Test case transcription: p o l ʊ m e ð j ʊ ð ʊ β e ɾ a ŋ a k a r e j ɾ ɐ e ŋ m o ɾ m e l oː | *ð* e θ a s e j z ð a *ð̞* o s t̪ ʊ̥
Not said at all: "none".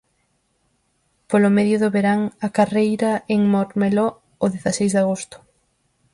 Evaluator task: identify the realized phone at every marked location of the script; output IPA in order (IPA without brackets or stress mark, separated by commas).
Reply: ð, ɣ̞